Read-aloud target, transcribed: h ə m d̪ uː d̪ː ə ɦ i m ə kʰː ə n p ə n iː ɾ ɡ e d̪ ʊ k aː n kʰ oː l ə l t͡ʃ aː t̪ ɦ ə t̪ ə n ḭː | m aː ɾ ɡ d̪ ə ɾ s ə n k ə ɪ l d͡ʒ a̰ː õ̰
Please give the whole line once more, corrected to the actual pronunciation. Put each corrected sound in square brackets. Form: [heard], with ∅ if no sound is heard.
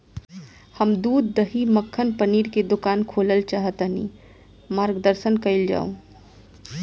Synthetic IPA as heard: h ə m d̪ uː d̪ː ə ɦ i m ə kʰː ə n p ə n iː ɾ [k] e d̪ ʊ k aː n kʰ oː l ə l t͡ʃ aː [∅] ɦ ə t̪ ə n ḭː | m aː ɾ ɡ d̪ ə ɾ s ə n k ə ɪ l d͡ʒ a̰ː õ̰